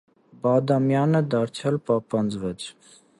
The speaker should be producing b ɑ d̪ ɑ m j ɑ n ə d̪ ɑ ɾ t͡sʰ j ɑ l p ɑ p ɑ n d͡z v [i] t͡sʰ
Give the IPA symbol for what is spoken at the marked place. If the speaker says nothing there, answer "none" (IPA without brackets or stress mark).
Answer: ɛ